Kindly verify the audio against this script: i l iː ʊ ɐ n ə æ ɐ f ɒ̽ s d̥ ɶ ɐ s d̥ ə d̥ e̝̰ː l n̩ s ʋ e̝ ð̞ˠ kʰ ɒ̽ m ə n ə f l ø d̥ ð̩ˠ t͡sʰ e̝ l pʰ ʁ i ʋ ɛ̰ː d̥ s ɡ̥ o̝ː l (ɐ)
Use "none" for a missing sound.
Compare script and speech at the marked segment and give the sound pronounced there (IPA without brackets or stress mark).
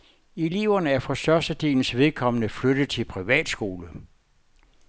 ə